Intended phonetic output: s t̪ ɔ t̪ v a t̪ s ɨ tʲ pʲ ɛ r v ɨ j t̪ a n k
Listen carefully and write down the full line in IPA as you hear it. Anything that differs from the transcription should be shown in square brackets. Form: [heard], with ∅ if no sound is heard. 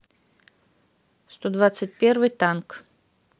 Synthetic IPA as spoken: s t̪ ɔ [d̪] v a t̪ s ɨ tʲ pʲ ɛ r v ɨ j t̪ a n k